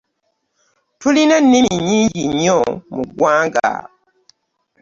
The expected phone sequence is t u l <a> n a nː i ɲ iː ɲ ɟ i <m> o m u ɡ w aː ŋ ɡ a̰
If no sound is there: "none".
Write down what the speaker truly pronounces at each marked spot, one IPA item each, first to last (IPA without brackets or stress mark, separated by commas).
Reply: i, ɲ